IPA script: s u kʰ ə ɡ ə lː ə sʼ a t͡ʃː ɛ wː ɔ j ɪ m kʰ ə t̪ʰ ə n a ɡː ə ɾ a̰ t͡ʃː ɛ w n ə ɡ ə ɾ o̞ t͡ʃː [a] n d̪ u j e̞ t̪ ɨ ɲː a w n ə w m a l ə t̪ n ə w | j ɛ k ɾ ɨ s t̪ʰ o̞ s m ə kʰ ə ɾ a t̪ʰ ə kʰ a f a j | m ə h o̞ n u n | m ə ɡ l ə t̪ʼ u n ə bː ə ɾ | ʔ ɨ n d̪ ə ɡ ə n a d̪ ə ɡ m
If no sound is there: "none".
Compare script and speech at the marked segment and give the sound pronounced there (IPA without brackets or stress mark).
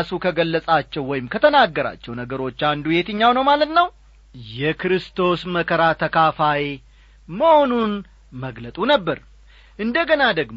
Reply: a